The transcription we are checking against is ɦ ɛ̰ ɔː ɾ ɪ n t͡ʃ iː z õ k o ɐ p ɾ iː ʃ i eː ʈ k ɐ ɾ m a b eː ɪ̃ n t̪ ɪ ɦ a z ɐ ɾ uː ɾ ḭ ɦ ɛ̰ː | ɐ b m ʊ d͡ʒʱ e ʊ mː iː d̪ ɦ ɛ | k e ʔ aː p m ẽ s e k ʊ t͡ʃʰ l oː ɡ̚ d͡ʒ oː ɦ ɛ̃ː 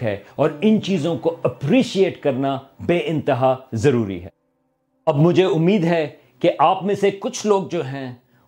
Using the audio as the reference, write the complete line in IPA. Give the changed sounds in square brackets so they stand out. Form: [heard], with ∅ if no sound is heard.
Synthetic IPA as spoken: ɦ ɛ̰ ɔː ɾ ɪ n t͡ʃ iː z õ k o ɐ p ɾ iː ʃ i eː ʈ k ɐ ɾ [n] a b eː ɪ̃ n t̪ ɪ ɦ a z ɐ ɾ uː ɾ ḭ ɦ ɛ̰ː | ɐ b m ʊ d͡ʒʱ e ʊ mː iː d̪ ɦ ɛ | k e ʔ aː p m ẽ s e k ʊ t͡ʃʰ l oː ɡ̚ d͡ʒ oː ɦ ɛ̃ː